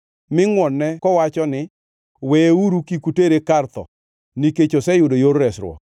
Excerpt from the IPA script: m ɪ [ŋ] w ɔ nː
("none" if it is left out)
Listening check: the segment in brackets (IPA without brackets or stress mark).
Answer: ŋ